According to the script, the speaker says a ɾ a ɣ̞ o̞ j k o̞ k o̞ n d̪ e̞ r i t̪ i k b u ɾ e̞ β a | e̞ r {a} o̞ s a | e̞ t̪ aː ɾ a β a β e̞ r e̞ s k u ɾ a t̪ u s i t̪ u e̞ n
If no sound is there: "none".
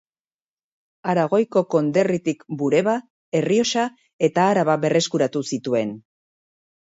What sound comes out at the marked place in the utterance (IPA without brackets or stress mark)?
i